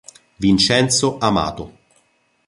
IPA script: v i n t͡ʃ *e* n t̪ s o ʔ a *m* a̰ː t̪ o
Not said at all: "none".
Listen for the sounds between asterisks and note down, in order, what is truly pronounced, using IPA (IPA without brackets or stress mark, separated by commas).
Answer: ɛ, m